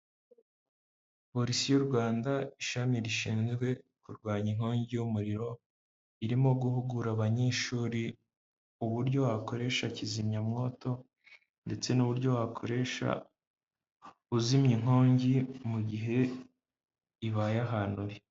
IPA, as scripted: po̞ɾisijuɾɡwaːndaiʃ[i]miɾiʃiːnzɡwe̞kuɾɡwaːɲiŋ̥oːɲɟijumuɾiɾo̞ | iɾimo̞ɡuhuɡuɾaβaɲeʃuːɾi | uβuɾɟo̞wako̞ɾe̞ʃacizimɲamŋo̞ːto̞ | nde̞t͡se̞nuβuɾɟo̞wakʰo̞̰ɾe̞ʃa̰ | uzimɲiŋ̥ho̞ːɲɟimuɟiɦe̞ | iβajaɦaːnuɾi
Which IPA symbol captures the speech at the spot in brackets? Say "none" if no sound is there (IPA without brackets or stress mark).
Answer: a